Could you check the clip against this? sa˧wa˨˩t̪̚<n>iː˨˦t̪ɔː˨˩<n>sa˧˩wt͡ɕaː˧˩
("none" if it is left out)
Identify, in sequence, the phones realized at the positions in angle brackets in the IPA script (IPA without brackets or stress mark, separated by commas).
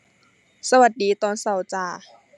d, n